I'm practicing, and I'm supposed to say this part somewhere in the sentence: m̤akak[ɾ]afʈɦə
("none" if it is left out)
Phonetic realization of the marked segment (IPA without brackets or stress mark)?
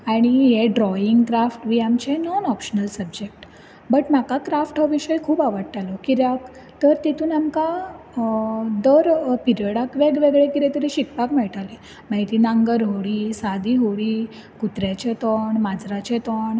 ɾ